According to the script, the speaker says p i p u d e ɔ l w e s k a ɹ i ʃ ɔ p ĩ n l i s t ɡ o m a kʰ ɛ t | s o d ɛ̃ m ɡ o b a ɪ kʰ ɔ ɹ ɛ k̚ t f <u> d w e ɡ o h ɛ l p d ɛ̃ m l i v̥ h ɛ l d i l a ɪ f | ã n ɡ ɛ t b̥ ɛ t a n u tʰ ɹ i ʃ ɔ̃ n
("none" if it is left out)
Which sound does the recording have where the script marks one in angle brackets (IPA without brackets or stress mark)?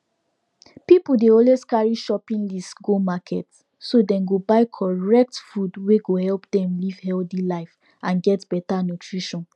u